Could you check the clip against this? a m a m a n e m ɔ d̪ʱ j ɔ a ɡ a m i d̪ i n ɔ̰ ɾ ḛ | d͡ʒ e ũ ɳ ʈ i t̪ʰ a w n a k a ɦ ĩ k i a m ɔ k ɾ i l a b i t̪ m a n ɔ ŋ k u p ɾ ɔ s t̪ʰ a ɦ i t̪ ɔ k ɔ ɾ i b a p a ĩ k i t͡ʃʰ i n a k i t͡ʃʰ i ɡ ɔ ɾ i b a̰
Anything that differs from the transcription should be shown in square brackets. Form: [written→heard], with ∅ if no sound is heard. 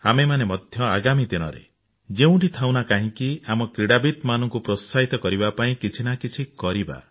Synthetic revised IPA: a m [a→e] m a n e m ɔ d̪ʱ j ɔ a ɡ a m i d̪ i n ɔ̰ ɾ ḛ | d͡ʒ e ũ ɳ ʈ i t̪ʰ a w n a k a ɦ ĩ k i a m ɔ k ɾ i [l→ɽ] a b i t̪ m a n ɔ ŋ k u p ɾ ɔ s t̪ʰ a ɦ i t̪ ɔ k ɔ ɾ i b a p a ĩ k i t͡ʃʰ i n a k i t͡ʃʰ i [ɡ→k] ɔ ɾ i b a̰